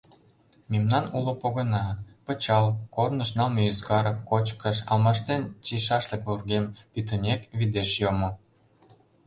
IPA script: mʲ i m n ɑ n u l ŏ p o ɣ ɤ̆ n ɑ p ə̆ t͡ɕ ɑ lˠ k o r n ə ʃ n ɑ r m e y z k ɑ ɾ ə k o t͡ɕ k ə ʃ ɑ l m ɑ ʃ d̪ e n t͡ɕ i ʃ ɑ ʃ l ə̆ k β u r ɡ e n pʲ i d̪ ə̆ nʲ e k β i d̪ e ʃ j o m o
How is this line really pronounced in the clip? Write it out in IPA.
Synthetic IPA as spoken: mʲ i m n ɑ n u l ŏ p o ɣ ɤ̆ n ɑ p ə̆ t͡ɕ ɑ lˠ k o r n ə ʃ n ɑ l m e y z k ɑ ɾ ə k o t͡ɕ k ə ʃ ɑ l m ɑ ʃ t̪ e n t͡ɕ i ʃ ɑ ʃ l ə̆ k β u r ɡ e m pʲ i t̪ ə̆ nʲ e k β i d̪ e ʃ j o m o